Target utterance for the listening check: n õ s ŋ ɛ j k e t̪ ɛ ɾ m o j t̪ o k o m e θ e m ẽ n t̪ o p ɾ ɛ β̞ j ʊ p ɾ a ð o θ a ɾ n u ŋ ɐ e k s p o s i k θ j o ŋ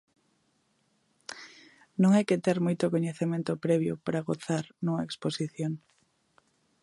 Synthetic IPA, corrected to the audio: n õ ŋ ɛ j k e t̪ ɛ ɾ m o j t̪ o k o ɲ e θ e m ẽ n t̪ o p ɾ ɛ β̞ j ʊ p ɾ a ɣ o θ a ɾ n u ŋ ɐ e k s p o s i θ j o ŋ